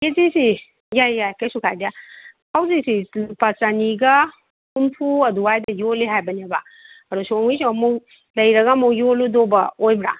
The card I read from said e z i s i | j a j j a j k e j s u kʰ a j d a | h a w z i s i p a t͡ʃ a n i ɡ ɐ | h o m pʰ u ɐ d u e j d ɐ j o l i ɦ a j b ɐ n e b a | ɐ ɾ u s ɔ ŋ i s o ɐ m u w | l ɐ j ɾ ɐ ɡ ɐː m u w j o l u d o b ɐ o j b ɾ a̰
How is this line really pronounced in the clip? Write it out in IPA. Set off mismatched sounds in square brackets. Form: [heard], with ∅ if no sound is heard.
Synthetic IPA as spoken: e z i s i | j a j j a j k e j s u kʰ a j d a | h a w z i s i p a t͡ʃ a n i ɡ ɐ | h [u] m pʰ u ɐ d u [a] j d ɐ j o l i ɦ a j b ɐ n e b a | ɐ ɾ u s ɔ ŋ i s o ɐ m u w | l ɐ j ɾ ɐ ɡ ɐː m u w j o l u d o b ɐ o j b ɾ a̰

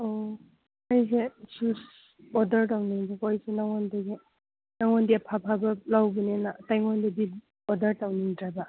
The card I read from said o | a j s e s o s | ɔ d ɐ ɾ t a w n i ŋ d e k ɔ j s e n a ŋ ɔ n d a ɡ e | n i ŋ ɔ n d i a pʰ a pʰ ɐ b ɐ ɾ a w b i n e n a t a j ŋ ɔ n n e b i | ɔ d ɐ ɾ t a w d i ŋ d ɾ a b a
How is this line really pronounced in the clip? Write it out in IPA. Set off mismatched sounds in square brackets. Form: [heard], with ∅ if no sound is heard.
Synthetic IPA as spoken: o | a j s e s [u] s | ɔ d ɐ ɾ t a w n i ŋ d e k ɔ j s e n a ŋ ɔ n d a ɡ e | n [a] ŋ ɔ n d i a pʰ a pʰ [a] b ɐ [l] a w b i n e n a t a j ŋ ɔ n [d] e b i | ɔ d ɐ ɾ t a w [n] i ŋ d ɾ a b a

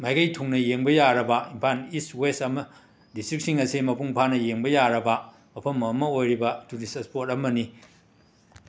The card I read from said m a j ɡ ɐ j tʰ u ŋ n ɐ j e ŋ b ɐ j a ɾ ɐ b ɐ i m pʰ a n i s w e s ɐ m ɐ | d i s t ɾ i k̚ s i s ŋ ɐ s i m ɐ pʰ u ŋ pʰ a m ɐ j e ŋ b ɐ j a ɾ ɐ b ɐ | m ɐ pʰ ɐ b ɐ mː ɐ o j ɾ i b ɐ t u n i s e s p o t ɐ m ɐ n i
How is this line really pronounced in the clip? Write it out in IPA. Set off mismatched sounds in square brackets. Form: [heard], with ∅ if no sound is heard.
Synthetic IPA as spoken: m a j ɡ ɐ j tʰ u ŋ n ɐ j e ŋ b ɐ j a ɾ ɐ b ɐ i m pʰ a n i s w e s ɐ m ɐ | d i s t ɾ i k̚ s i [∅] ŋ ɐ s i m ɐ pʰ u ŋ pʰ a [n] ɐ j e ŋ b ɐ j a ɾ ɐ b ɐ | m ɐ pʰ ɐ [m] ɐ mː ɐ o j ɾ i b ɐ t u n i s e s p o t ɐ m ɐ n i

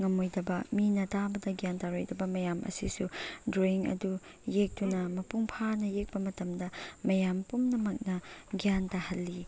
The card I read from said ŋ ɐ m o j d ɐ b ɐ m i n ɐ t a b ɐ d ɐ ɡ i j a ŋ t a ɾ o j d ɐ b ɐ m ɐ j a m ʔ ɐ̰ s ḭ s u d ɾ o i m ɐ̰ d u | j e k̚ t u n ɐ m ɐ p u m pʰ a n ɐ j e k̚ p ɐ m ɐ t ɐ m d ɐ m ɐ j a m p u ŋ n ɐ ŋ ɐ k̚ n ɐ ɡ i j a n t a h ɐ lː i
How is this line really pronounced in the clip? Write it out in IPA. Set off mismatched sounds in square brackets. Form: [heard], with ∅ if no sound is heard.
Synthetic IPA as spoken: ŋ ɐ m o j d ɐ b ɐ m i n ɐ t a b ɐ d ɐ ɡ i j a [n] t a ɾ o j d ɐ b ɐ m ɐ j a m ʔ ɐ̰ s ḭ s u d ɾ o i [ŋ] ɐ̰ d u | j e k̚ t u n ɐ m ɐ p u [ŋ] pʰ a n ɐ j e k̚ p ɐ m ɐ t ɐ m d ɐ m ɐ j a m p u [m] n ɐ [m] ɐ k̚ n ɐ ɡ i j a n t a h ɐ lː i

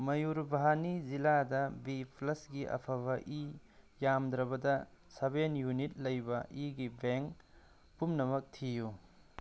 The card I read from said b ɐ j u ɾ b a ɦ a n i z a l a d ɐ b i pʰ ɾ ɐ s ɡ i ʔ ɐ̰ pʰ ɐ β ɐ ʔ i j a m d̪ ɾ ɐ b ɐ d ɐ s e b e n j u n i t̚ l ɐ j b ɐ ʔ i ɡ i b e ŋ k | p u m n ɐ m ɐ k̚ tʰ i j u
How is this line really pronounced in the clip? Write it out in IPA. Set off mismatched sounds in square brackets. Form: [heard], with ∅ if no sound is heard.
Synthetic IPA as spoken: [m] ɐ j u ɾ b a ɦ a n i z [i] l a d ɐ b i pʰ [l] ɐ s ɡ i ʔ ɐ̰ pʰ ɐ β ɐ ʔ i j a m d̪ ɾ ɐ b ɐ d ɐ s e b e n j u n i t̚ l ɐ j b ɐ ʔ i ɡ i b e ŋ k | p u m n ɐ m ɐ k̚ tʰ i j u

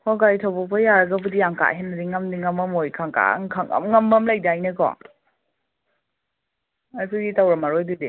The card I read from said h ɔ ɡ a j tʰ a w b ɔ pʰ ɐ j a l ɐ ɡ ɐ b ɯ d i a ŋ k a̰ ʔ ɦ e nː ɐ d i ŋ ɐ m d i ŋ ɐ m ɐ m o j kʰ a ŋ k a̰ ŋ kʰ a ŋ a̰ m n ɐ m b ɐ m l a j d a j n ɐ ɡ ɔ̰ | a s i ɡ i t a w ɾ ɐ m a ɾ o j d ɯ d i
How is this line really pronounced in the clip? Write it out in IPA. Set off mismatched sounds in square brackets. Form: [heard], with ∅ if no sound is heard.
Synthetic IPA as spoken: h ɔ ɡ a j tʰ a w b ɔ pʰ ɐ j a [ɾ] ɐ ɡ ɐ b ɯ d i a ŋ k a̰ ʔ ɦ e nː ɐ d i ŋ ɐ m d i ŋ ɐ m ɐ m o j kʰ a ŋ k a̰ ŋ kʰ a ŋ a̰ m [ŋ] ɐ m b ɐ m l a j d a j n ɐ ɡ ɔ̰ | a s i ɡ i t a w ɾ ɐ m a ɾ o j d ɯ d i

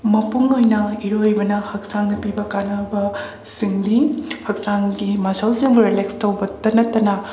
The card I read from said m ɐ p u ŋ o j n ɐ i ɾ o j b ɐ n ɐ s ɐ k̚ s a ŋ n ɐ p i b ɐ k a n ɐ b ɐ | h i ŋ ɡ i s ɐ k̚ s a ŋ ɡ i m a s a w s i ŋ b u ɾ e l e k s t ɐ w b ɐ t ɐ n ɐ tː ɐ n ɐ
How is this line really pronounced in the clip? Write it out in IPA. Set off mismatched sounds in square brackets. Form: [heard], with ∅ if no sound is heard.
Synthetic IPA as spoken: m ɐ p u ŋ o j n ɐ i ɾ o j b ɐ n ɐ [h] ɐ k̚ s a ŋ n ɐ p i b ɐ k a n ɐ b ɐ | [s] i ŋ [d] i [h] ɐ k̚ s a ŋ ɡ i m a s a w s i ŋ b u ɾ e l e k s t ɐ w b ɐ t ɐ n ɐ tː ɐ n ɐ

